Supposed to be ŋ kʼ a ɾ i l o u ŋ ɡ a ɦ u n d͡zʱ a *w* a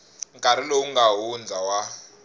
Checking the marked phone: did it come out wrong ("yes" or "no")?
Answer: no